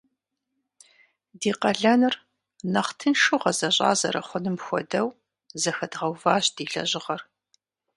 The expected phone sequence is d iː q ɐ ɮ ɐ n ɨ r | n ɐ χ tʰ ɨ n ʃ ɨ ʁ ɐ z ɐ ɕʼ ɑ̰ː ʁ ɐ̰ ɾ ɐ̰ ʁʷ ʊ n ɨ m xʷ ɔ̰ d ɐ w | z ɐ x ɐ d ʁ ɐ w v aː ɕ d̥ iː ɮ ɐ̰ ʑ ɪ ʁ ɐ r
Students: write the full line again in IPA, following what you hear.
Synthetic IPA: d iː q ɐ ɮ ɐ n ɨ r | n ɐ χ tʰ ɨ n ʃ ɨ ʁ ɐ z ɐ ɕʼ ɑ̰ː z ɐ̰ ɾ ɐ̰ χʷ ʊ n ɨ m xʷ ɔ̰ d ɐ w | z ɐ x ɐ d ʁ ɐ w v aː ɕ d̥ iː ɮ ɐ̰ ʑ ɪ ʁ ɐ r